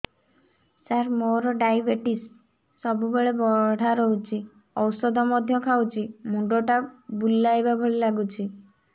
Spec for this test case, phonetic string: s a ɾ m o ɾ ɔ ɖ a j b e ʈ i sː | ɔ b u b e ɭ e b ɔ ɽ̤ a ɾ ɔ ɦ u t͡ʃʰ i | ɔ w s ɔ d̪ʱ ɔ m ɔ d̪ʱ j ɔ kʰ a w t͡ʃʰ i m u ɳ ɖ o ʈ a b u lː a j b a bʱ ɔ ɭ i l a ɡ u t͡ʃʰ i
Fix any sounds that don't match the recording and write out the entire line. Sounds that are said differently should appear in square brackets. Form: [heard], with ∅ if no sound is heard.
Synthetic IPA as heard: s a ɾ m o ɾ ɔ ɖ a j b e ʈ i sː | ɔ b u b e ɭ e b ɔ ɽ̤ a ɾ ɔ ɦ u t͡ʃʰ i | ɔ w s ɔ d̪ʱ ɔ m ɔ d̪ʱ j ɔ kʰ a w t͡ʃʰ i m u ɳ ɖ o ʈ a b u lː a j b a bʱ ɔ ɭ i l a ɡ u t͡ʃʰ i